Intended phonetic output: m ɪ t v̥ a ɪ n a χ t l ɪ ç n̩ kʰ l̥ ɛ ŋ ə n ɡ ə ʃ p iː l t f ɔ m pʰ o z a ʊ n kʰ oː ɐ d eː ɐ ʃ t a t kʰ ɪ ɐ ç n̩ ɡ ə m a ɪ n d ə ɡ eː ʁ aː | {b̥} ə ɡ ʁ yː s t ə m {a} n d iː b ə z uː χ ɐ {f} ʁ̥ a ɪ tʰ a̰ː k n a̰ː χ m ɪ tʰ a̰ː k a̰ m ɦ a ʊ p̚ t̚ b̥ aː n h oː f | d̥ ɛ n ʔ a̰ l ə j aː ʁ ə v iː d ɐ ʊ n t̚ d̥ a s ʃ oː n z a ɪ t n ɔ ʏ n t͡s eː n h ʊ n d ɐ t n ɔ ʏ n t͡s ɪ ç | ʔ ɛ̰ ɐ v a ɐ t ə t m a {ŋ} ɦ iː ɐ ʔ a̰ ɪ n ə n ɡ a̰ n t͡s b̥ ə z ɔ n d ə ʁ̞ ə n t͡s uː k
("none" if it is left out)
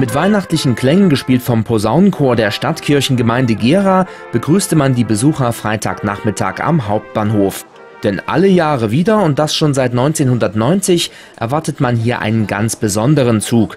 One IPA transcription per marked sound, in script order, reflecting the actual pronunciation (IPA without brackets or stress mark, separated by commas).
b̥, a, f, n